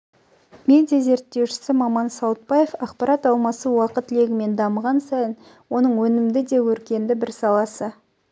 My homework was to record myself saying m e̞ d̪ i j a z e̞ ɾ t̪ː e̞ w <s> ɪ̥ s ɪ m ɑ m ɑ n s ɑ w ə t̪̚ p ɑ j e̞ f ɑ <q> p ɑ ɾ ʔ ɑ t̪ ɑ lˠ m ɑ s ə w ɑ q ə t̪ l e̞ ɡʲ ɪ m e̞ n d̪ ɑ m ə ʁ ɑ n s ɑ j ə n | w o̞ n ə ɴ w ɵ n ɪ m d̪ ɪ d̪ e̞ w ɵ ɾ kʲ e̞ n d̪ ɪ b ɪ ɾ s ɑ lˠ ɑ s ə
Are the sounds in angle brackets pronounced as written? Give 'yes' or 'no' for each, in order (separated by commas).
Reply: no, yes